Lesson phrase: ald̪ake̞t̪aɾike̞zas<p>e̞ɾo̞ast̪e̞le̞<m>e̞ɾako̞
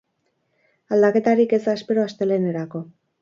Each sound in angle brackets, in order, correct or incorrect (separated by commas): correct, incorrect